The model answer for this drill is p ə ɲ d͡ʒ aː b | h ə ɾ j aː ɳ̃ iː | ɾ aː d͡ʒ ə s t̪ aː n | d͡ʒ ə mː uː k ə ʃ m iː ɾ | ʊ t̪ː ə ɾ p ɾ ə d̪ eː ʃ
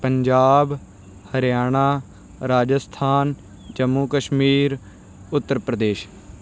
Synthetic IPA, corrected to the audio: p ə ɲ d͡ʒ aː b | h ə ɾ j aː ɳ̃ aː | ɾ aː d͡ʒ ə s t̪ʰ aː n | d͡ʒ ə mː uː k ə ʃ m iː ɾ | ʊ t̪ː ə ɾ p ɾ ə d̪ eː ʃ